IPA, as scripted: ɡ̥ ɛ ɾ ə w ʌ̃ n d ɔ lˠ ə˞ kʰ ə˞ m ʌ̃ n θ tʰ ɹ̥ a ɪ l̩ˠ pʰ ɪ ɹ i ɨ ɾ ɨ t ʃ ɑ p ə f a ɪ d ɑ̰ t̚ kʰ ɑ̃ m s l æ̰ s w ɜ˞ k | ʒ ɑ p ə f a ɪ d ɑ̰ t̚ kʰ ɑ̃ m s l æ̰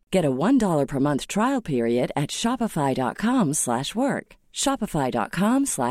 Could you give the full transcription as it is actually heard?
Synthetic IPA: ɡ̥ ɛ ɾ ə w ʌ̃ n d ɔ lˠ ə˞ pʰ ə˞ m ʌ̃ n θ tʰ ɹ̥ a ɪ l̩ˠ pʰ ɪ ɹ i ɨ ɾ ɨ t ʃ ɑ p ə f a ɪ d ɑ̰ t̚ kʰ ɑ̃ m s l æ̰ ʃ w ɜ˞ k | ʃ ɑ p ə f a ɪ d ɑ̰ t̚ kʰ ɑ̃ m s l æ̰